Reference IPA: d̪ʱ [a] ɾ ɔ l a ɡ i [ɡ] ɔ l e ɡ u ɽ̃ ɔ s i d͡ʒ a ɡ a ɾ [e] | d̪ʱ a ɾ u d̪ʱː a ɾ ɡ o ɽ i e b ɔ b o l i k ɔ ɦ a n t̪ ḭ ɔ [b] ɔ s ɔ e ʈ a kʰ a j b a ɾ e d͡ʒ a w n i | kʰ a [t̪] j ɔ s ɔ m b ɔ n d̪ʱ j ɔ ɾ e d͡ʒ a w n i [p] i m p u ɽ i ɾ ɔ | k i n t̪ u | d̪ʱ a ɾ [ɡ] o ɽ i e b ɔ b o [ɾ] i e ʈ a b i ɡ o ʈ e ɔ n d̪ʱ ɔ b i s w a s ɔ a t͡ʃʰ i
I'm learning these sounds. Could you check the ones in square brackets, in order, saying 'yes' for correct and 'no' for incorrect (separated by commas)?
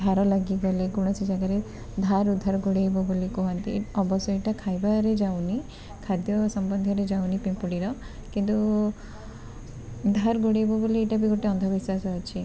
yes, yes, yes, yes, no, yes, yes, no